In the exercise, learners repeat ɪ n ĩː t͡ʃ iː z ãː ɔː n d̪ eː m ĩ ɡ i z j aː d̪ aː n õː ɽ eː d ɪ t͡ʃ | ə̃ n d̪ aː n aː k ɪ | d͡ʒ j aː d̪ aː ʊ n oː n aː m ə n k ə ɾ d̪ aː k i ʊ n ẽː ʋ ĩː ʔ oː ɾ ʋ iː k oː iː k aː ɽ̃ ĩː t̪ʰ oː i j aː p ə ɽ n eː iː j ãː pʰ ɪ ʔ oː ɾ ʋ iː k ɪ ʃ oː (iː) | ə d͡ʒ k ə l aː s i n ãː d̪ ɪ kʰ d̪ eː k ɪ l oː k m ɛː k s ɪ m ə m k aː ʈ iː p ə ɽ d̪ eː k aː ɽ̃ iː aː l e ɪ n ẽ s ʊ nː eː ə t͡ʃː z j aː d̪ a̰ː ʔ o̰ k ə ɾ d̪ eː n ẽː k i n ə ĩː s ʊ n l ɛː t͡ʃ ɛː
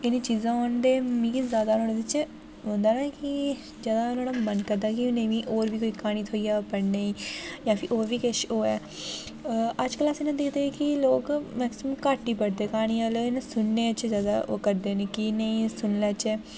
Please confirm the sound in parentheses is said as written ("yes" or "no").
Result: no